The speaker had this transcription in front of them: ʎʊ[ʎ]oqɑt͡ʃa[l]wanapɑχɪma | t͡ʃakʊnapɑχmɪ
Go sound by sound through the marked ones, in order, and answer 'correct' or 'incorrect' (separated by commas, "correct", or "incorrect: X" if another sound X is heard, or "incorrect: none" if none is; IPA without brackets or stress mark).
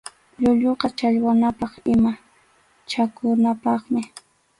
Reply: correct, incorrect: ʎ